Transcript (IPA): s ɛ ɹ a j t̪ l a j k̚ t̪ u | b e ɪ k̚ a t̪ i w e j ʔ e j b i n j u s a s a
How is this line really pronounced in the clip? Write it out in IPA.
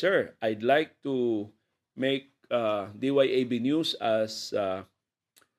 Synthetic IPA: s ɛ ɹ a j d̪ l a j k̚ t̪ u | m e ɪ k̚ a d̪ i w a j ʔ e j b i n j u s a s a